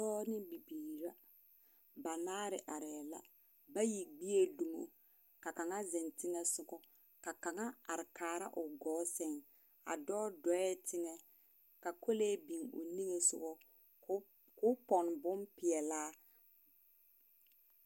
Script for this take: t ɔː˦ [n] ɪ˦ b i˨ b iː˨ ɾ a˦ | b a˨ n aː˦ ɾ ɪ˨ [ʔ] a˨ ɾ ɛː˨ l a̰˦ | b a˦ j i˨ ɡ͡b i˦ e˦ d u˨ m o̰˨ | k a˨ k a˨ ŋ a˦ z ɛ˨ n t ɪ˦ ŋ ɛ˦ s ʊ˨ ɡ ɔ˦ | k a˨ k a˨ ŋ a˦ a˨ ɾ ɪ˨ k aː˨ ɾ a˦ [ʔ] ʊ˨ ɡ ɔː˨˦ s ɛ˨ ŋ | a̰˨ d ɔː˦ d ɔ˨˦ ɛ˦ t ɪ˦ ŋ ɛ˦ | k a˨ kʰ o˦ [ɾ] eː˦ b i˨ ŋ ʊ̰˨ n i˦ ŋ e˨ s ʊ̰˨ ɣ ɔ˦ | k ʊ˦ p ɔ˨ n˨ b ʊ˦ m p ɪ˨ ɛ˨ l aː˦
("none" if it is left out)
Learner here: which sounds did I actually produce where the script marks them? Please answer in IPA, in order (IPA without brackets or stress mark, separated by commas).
n, ʔ, ʔ, l